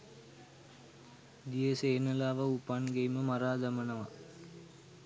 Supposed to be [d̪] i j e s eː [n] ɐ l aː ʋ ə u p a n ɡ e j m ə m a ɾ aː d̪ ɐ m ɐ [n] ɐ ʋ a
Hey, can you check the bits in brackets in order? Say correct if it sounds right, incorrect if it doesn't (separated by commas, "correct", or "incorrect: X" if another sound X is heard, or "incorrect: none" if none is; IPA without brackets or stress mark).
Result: correct, correct, correct